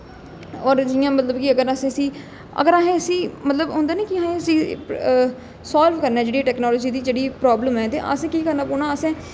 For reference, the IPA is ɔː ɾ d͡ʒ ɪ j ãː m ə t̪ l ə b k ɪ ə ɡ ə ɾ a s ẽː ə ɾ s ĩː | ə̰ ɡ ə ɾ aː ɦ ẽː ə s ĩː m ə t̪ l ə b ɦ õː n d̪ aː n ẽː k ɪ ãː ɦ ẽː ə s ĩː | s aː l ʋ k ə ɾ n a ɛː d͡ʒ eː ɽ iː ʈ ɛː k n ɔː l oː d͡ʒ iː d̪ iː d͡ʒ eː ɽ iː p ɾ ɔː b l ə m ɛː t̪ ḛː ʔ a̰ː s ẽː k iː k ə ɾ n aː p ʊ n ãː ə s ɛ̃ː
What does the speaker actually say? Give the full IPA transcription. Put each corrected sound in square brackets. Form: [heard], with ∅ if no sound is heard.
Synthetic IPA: ɔː ɾ d͡ʒ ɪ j ãː m ə t̪ l ə b k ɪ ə ɡ ə ɾ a s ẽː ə [∅] s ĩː | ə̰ ɡ ə ɾ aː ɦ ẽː ə s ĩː m ə t̪ l ə b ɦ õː n d̪ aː n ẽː k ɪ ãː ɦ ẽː ə s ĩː | s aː l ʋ k ə ɾ n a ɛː d͡ʒ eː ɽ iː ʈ ɛː k n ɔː l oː d͡ʒ iː d̪ iː d͡ʒ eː ɽ iː p ɾ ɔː b l ə m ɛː t̪ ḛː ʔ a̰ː s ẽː k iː k ə ɾ n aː p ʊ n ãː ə s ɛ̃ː